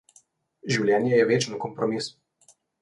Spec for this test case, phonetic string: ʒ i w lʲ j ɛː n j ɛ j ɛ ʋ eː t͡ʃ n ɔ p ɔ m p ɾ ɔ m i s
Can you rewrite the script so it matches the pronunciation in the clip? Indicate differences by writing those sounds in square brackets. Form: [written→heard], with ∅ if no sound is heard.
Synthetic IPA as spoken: ʒ i w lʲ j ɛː n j ɛ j ɛ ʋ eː t͡ʃ n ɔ [p→k] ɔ m p ɾ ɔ m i s